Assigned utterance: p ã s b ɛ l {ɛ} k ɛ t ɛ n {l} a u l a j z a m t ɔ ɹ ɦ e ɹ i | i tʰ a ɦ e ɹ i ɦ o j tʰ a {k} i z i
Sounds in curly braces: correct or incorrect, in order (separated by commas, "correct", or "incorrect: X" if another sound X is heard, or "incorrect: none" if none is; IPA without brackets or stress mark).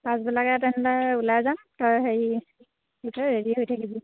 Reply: incorrect: a, correct, correct